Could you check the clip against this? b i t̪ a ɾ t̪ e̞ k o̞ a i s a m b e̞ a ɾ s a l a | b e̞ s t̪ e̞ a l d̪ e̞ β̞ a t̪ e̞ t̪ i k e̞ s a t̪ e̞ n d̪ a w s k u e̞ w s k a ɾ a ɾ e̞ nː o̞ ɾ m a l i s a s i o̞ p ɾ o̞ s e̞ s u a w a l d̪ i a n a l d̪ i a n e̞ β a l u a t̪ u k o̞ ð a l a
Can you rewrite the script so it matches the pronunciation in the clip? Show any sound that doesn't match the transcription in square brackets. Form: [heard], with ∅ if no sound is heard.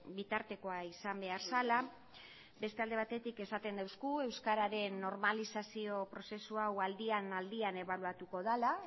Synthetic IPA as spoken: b i t̪ a ɾ t̪ e̞ k o̞ a i s a m b e̞ a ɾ s a l a | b e̞ s t̪ e̞ a l d̪ e̞ β̞ a t̪ e̞ t̪ i k e̞ s a t̪ e̞ n d̪ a w s k u e̞ w s k a ɾ a ɾ e̞ nː o̞ ɾ m a l i s a s i o̞ p ɾ o̞ s e̞ s u a w a l d̪ i a n a l d̪ i a n e̞ β a l u a t̪ u k o̞ ð a l a

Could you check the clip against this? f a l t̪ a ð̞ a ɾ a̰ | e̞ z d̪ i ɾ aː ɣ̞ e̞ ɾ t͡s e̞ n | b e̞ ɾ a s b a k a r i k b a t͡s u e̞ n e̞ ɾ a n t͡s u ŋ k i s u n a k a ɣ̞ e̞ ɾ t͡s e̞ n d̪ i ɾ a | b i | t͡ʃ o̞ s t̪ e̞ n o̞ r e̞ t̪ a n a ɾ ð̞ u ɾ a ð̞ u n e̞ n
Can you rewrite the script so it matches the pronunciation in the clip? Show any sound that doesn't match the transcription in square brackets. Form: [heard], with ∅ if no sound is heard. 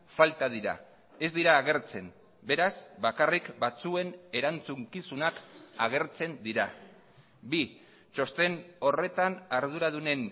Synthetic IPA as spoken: f a l t̪ a ð̞ [i] ɾ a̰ | e̞ z d̪ i ɾ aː ɣ̞ e̞ ɾ t͡s e̞ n | b e̞ ɾ a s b a k a r i k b a t͡s u e̞ n e̞ ɾ a n t͡s u ŋ k i s u n a k a ɣ̞ e̞ ɾ t͡s e̞ n d̪ i ɾ a | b i | t͡ʃ o̞ s t̪ e̞ n o̞ r e̞ t̪ a n a ɾ ð̞ u ɾ a ð̞ u n e̞ n

